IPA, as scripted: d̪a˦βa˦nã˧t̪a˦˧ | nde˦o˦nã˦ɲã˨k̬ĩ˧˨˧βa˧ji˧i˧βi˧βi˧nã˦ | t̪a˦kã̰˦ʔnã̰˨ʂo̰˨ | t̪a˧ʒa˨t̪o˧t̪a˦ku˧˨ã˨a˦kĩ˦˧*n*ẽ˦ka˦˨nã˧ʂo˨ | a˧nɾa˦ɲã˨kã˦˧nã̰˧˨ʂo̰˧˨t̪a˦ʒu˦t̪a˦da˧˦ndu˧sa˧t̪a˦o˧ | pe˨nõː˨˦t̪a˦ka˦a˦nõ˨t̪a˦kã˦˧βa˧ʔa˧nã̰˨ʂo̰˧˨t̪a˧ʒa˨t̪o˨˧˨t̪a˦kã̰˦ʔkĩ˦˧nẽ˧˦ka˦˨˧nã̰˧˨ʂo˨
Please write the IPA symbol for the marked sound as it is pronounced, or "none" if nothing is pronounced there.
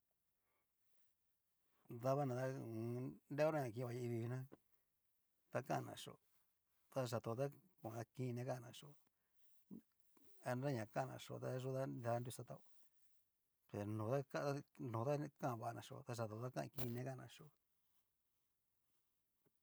n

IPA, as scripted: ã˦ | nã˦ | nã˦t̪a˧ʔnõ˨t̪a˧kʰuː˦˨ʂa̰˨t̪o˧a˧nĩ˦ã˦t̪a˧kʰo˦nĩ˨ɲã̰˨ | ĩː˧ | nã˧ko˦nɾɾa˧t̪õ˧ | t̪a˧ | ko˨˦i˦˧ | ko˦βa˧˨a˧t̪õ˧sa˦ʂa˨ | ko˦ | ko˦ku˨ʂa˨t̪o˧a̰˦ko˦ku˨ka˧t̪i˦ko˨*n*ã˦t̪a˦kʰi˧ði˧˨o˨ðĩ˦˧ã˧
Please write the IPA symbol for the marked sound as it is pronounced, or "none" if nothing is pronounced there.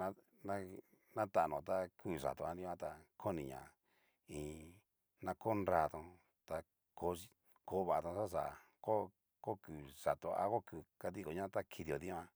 ɲ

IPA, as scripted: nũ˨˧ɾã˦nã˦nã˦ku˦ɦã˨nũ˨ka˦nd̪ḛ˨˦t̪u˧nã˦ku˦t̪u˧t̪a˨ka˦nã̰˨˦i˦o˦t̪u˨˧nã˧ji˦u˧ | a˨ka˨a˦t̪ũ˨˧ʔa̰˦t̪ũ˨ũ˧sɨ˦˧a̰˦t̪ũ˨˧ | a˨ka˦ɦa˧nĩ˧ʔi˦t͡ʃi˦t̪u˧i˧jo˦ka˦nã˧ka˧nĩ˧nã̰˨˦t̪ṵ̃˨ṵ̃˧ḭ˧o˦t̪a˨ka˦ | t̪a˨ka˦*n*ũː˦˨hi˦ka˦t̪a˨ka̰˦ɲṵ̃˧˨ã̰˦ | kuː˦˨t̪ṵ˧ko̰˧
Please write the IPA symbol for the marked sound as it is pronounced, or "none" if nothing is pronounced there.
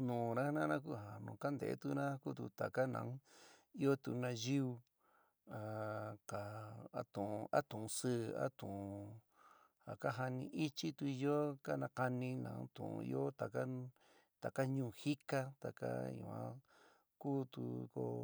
ɲ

